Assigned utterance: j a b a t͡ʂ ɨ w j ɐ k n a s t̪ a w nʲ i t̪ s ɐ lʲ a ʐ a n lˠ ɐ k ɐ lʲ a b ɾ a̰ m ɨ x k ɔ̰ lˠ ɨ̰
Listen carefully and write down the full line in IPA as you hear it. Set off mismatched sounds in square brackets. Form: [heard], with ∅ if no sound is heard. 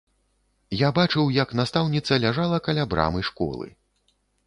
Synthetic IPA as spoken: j a b a t͡ʂ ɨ w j ɐ k n a s t̪ a w nʲ i t̪ s ɐ lʲ a ʐ a [∅] lˠ ɐ k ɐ lʲ a b ɾ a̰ m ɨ [ʂ] k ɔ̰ lˠ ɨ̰

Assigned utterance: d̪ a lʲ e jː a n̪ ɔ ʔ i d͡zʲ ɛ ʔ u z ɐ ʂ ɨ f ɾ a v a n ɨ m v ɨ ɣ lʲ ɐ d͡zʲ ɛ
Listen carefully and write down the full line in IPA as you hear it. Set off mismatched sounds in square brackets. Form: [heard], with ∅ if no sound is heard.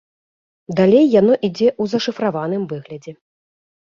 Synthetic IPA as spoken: d̪ a lʲ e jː a n̪ ɔ ʔ i d͡zʲ ɛ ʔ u z ɐ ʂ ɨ f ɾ a v a n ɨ m v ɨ ɣ lʲ ɐ d͡zʲ ɛ

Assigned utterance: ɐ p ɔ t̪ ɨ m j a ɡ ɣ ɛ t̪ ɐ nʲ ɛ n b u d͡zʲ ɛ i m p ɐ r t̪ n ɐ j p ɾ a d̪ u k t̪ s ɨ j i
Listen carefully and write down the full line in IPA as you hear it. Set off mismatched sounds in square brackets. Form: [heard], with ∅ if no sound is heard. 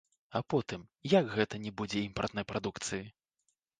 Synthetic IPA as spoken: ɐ p ɔ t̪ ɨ m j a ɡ ɣ ɛ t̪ ɐ nʲ ɛ [∅] b u d͡zʲ ɛ i m p ɐ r t̪ n ɐ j p ɾ a d̪ u k t̪ s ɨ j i

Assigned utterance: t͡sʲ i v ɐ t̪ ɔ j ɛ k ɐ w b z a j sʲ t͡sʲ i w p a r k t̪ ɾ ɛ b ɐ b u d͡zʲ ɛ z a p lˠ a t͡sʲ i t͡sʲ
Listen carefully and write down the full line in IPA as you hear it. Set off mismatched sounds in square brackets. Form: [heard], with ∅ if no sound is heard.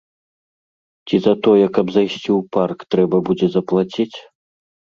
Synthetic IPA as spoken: t͡sʲ i [z] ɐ t̪ ɔ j ɛ k ɐ [∅] b z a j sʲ t͡sʲ i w p a r k t̪ ɾ ɛ b ɐ b u d͡zʲ ɛ z [ɐ] p lˠ a t͡sʲ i t͡sʲ

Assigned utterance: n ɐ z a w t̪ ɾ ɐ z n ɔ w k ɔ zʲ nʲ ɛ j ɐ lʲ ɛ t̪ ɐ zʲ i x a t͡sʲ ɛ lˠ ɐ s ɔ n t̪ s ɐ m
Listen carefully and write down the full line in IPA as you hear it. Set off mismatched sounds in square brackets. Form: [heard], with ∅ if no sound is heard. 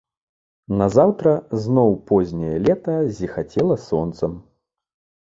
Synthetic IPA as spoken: n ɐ z a w t̪ ɾ ɐ z n ɔ w [p] ɔ zʲ nʲ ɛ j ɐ lʲ ɛ t̪ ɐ zʲ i x a t͡sʲ ɛ lˠ ɐ s ɔ n t̪ s ɐ m

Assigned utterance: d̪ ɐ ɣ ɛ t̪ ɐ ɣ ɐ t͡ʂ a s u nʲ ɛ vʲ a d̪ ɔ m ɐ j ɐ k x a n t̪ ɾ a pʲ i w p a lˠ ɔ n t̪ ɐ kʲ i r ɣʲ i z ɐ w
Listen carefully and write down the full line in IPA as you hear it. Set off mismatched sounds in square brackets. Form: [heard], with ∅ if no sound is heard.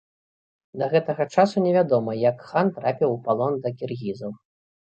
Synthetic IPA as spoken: d̪ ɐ ɣ ɛ t̪ ɐ ɣ ɐ t͡ʂ a s u nʲ ɛ vʲ a d̪ ɔ m ɐ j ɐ k x a n t̪ ɾ a pʲ i w p a lˠ ɔ n [d̪] ɐ kʲ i r ɣʲ i z ɐ w

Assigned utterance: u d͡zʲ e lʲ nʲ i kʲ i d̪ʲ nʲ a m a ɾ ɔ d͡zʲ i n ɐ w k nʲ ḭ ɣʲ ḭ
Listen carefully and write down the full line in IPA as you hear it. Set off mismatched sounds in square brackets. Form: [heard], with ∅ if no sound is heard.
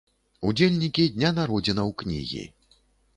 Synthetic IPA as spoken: u d͡zʲ e lʲ nʲ i kʲ i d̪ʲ nʲ a [n] a ɾ ɔ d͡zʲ i n ɐ w k nʲ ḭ ɣʲ ḭ

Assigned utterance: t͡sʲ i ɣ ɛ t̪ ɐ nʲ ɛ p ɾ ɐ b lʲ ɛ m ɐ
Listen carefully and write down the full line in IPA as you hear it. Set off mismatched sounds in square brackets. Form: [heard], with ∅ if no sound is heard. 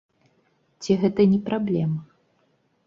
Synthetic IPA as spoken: t͡sʲ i ɣ ɛ t̪ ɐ nʲ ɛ p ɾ [a] b lʲ ɛ m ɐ

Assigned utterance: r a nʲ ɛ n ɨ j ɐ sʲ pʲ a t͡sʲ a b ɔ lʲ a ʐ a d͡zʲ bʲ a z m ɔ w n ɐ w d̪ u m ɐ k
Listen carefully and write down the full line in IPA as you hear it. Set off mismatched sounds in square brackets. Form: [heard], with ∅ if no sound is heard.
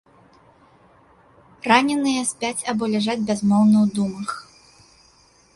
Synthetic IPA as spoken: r a nʲ ɛ n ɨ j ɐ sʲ pʲ a t͡sʲ a b ɔ lʲ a ʐ a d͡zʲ bʲ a z m ɔ w n ɐ w d̪ u m ɐ [x]

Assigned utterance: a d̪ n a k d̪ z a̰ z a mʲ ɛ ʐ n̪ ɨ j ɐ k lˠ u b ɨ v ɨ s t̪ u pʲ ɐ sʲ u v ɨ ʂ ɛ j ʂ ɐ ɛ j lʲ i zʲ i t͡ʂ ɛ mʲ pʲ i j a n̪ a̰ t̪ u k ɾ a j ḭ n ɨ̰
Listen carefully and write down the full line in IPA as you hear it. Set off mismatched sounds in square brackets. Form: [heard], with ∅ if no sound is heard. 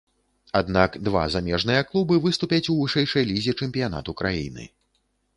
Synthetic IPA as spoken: a d̪ n a k d̪ [v] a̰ z a mʲ ɛ ʐ n̪ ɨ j ɐ k lˠ u b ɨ v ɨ s t̪ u pʲ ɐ [t͡sʲ] u v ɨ ʂ ɛ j ʂ ɐ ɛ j lʲ i zʲ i t͡ʂ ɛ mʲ pʲ i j a n̪ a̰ t̪ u k ɾ a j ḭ n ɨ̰

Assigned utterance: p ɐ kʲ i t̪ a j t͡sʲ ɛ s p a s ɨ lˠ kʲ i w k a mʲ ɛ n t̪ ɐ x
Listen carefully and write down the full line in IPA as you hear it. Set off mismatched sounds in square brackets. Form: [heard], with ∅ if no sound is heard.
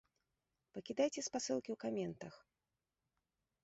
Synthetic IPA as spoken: p ɐ kʲ i [d̪] a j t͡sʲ ɛ s p a s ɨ lˠ kʲ i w k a mʲ ɛ n t̪ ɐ x

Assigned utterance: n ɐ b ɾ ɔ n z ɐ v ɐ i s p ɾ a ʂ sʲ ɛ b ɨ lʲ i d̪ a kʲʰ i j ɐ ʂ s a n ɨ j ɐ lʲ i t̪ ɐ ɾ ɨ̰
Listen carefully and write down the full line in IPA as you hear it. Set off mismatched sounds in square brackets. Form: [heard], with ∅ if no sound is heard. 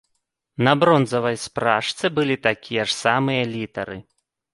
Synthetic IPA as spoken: n ɐ b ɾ ɔ n z ɐ v ɐ [j] s p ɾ a ʂ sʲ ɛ b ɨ lʲ i [t̪] a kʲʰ i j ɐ ʂ s a [m] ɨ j ɐ lʲ i t̪ ɐ ɾ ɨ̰

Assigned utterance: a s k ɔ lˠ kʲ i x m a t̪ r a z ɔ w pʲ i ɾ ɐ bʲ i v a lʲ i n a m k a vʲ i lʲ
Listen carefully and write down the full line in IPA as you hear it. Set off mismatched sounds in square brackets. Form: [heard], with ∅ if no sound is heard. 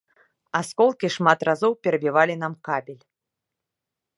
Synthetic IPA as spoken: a s k ɔ lˠ kʲ i [ʂ] m a t̪ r a z ɔ w pʲ [ɛ] ɾ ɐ bʲ i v a lʲ i n a m k a [bʲ] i lʲ

